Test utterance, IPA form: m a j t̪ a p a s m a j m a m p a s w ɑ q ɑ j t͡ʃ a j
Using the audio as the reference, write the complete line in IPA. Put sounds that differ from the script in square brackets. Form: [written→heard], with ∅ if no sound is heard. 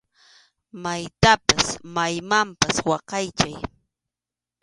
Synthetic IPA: m a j t̪ a p a s m a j m a m p a s w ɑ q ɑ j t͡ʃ a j